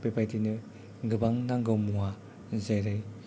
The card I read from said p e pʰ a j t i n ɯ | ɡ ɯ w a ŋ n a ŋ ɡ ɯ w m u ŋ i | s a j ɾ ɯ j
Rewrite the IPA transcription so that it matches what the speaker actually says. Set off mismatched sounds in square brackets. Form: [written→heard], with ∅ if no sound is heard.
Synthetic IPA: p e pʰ a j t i n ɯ | ɡ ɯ [w→b] a ŋ n a ŋ ɡ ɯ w m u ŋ [i→a] | [s→z] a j ɾ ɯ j